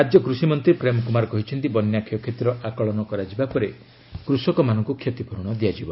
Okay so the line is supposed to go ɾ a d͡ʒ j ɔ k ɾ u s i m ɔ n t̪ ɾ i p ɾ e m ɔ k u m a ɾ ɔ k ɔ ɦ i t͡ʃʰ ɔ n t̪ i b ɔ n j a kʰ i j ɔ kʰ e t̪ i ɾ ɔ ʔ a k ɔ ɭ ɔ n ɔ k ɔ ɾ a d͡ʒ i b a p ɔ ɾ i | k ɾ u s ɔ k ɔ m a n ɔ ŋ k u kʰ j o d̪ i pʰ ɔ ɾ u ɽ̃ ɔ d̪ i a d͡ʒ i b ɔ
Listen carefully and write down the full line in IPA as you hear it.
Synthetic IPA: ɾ a d͡ʒ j ɔ k ɾ u s i m ɔ n t̪ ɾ i p ɾ e m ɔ k u m a ɾ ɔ k ɔ ɦ i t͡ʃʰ ɔ n t̪ i b ɔ n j a kʰ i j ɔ kʰ e t̪ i ɾ ɔ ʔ a k ɔ ɭ ɔ n ɔ k ɔ ɾ a d͡ʒ i b a p ɔ ɾ e | k ɾ u s ɔ k ɔ m a n ɔ ŋ k u kʰ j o t̪ i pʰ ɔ ɾ u ɽ̃ ɔ d̪ i a d͡ʒ i b ɔ